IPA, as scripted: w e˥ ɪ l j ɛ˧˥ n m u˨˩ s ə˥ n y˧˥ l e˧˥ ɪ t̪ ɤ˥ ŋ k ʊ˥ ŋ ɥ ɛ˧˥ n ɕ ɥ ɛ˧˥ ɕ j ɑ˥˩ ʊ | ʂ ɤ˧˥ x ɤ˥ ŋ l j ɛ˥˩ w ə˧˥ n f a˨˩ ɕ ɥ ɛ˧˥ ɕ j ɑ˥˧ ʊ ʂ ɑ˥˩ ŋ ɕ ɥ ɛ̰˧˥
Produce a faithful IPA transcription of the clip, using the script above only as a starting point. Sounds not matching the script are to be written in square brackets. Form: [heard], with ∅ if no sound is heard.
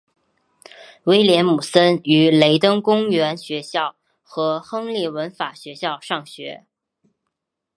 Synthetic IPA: w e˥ ɪ l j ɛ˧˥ n m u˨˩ s ə˥ n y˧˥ l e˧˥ ɪ t̪ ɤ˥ ŋ k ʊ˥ ŋ ɥ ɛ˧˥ n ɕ ɥ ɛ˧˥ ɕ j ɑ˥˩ ʊ | [x] ɤ˧˥ x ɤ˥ ŋ l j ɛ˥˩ w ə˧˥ n f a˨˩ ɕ ɥ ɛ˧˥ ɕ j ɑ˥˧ ʊ ʂ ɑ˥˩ ŋ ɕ ɥ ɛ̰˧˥